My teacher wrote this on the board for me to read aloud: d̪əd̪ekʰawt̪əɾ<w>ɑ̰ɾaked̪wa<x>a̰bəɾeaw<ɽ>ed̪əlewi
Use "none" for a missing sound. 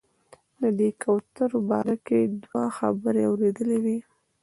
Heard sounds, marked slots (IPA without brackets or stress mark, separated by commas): b, x, ɾ